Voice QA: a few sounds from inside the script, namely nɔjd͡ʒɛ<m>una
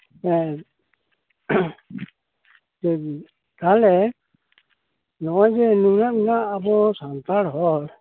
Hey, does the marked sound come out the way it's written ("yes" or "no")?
no